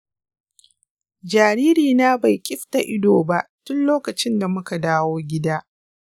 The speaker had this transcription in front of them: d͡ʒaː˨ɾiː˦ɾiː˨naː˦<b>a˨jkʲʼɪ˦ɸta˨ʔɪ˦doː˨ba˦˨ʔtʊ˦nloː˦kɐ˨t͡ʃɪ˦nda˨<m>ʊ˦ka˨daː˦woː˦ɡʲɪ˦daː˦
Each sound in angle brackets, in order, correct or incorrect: correct, correct

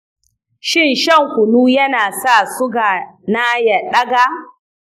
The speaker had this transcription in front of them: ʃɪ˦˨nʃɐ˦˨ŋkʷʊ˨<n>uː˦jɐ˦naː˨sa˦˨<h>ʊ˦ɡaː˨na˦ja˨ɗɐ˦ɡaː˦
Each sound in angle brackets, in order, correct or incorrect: correct, incorrect

